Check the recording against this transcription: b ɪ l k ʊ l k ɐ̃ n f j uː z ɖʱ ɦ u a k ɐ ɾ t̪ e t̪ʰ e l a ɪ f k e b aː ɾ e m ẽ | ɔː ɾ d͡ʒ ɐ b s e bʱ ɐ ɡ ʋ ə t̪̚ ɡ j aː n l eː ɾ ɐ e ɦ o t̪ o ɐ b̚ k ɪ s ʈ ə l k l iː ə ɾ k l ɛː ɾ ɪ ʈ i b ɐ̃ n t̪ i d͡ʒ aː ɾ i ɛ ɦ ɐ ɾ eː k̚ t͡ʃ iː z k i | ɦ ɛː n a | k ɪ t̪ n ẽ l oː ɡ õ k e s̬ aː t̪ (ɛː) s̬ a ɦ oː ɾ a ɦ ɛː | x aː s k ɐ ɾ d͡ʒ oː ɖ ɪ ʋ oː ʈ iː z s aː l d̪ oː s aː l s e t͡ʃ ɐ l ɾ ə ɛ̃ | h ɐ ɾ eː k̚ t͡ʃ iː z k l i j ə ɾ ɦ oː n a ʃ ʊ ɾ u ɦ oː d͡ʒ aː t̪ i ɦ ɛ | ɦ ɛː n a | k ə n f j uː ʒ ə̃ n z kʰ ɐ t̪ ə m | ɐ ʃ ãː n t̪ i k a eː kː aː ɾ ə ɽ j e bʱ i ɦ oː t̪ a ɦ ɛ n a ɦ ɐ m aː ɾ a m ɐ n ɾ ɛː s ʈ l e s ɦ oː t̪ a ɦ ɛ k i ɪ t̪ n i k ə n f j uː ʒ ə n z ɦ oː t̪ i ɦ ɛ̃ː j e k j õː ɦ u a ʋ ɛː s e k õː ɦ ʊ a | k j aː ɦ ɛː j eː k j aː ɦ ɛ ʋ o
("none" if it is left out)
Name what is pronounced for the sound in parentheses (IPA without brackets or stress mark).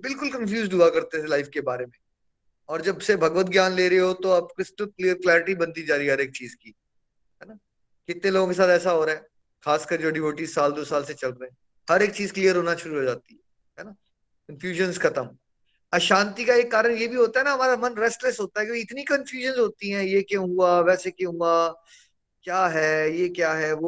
ɛː